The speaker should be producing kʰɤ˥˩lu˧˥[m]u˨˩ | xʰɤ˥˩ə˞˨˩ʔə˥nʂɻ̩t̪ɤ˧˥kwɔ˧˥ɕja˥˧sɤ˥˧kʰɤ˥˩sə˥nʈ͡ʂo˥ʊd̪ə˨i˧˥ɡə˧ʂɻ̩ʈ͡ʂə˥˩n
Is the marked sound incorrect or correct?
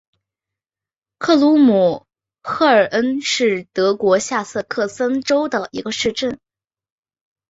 correct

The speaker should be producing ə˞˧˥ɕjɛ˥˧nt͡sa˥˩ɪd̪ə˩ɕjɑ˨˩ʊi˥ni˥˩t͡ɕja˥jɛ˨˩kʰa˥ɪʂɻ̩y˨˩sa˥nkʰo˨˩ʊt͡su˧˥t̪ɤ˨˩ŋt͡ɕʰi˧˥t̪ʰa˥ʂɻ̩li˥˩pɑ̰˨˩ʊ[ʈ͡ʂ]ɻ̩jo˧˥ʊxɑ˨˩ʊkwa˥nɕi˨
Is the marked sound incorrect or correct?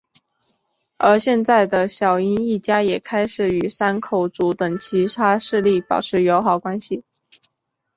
incorrect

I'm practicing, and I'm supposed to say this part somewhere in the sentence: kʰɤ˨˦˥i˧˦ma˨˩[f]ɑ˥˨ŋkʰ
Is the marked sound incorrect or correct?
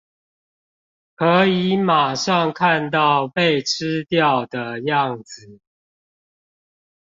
incorrect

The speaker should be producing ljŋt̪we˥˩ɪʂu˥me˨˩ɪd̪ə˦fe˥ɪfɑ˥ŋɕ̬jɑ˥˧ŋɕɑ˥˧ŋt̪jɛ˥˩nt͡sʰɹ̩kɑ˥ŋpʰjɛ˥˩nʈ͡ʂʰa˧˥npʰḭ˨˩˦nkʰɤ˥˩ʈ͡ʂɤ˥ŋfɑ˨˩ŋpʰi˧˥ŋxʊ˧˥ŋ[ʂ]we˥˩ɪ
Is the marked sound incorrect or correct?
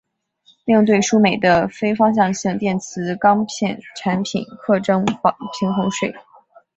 correct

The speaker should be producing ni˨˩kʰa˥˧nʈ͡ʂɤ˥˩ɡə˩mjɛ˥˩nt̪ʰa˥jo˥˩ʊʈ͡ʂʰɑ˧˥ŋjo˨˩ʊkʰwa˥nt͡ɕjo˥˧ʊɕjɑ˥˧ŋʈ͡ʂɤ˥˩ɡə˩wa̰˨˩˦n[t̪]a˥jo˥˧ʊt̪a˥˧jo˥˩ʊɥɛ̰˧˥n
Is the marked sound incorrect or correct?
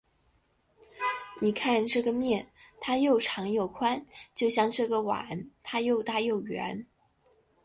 incorrect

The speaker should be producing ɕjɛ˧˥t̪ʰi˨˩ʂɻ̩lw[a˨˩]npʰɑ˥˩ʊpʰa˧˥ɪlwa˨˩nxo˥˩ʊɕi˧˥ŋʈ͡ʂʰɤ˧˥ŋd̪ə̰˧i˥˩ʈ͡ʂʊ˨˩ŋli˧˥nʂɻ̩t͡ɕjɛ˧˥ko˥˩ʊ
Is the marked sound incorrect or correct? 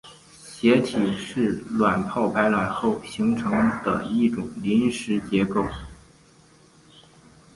correct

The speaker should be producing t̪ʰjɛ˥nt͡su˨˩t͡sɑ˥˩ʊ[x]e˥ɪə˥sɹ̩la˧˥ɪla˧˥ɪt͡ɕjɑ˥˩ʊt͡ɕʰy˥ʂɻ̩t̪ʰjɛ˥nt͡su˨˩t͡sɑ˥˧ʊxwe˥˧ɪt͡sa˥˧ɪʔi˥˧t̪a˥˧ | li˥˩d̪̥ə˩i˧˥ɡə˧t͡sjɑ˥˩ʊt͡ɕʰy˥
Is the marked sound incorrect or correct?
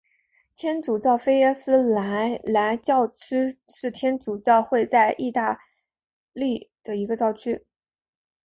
incorrect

